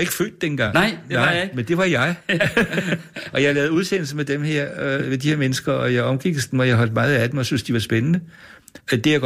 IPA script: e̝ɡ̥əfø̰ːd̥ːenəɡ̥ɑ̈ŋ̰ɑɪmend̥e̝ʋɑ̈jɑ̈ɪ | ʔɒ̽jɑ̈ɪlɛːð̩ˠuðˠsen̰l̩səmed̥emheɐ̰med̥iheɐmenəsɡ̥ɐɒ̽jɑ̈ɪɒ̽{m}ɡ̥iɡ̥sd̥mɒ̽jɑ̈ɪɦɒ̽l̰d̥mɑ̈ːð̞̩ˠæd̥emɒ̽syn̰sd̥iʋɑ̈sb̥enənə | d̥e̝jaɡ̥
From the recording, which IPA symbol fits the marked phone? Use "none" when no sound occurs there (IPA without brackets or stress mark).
m